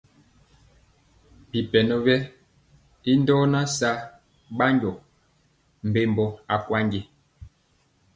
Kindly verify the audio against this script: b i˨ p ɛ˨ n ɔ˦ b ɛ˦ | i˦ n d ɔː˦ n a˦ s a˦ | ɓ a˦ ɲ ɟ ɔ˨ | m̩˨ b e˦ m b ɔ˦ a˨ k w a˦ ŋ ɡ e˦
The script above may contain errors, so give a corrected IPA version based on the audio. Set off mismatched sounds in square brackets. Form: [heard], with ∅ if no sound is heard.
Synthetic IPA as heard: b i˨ p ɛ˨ n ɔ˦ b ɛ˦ | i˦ n d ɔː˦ n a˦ s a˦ | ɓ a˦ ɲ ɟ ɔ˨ | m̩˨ b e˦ m b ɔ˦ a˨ k w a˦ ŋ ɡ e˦